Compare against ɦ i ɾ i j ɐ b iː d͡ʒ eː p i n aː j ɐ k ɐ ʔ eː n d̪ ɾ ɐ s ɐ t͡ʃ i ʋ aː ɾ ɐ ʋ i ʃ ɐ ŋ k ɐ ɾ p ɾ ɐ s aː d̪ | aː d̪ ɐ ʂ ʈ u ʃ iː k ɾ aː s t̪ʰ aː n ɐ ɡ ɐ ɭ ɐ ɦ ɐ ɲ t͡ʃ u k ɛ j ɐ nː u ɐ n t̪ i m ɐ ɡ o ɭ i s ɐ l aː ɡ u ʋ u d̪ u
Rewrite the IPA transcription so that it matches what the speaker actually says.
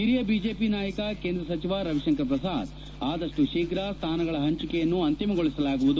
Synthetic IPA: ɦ i ɾ i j ɐ b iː d͡ʒ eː p i n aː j ɐ k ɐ k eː n d̪ ɾ ɐ s ɐ t͡ʃ i ʋ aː ɾ ɐ ʋ i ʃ ɐ ŋ k ɐ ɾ p ɾ ɐ s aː d̪ | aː d̪ ɐ ʂ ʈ u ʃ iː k ɾ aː s t̪ʰ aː n ɐ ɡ ɐ ɭ ɐ ɦ ɐ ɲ t͡ʃ u k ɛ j ɐ nː u ɐ n t̪ i m ɐ ɡ o ɭ i s ɐ l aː ɡ u ʋ u d̪ u